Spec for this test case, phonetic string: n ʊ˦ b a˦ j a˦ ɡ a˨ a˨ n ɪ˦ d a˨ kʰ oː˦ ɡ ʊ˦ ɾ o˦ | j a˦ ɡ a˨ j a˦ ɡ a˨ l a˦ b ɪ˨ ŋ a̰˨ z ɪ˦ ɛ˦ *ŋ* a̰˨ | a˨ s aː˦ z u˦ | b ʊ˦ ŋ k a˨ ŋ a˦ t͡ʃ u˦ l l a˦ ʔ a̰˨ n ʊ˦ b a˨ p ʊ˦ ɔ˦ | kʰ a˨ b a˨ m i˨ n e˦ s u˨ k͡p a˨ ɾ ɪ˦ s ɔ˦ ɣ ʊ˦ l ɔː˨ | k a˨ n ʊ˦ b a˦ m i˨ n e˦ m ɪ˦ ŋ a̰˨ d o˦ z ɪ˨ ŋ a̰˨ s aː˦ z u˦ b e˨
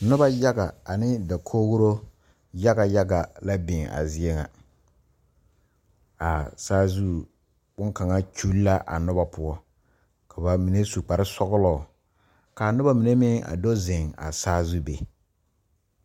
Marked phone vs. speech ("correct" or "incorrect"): correct